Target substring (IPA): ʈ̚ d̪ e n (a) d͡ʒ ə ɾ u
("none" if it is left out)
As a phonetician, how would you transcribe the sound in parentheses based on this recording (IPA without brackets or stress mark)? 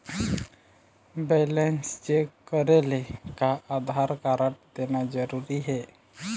a